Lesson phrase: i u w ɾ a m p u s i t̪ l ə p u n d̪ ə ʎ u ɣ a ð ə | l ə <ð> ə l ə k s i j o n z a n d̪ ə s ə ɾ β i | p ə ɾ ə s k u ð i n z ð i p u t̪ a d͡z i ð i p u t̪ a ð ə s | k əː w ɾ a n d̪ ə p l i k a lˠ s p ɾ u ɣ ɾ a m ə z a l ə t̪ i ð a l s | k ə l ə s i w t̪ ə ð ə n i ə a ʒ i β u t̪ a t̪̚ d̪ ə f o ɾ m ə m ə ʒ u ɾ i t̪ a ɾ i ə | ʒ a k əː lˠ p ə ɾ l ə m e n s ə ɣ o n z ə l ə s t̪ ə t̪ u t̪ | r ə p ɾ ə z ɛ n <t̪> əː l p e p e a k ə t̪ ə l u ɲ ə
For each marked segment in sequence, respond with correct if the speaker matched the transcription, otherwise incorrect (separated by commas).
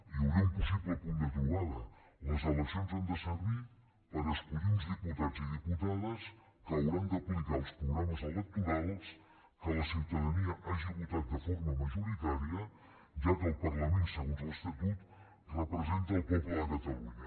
incorrect, correct